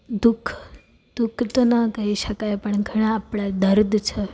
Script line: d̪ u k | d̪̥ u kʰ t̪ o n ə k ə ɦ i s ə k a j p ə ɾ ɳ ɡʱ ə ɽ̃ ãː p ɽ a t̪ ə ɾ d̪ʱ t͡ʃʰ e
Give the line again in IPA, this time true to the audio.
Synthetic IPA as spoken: d̪ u kʰ | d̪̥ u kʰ t̪ o n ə k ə ɦ i ʃ ə k a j p ə ɳ ɡʱ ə ɽ̃ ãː p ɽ a d̪ ə ɾ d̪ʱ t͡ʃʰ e